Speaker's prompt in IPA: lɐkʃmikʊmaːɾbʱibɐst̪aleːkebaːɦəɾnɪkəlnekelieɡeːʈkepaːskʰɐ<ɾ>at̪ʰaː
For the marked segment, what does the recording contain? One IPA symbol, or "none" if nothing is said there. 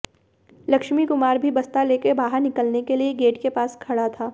ɽ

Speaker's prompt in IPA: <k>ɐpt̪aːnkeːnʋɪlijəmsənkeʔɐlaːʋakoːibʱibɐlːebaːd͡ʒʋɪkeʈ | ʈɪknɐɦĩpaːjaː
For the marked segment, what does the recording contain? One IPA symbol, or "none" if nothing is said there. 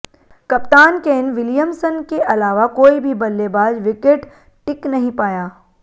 k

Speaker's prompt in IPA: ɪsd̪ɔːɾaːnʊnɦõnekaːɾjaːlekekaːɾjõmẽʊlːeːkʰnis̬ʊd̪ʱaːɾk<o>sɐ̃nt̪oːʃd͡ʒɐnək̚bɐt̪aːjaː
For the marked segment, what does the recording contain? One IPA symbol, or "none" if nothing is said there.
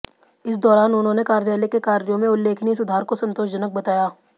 o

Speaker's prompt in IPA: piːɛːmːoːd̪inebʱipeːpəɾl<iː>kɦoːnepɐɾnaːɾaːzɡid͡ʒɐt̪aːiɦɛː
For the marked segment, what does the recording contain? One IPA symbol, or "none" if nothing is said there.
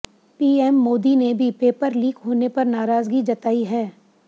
iː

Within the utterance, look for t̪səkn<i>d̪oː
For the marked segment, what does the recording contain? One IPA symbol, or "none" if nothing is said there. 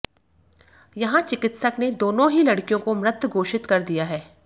e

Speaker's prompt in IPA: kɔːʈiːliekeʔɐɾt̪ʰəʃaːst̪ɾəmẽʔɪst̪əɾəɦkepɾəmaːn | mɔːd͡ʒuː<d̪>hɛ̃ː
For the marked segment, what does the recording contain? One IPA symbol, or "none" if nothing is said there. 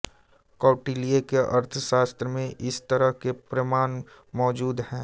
d̪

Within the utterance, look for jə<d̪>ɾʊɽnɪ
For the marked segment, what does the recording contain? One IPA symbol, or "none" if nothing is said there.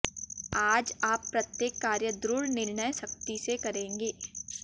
d̪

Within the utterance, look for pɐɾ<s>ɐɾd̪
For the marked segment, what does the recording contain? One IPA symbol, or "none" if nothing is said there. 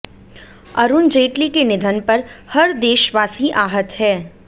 h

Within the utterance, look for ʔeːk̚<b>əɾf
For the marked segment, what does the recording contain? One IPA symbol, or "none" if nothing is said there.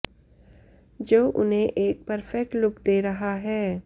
p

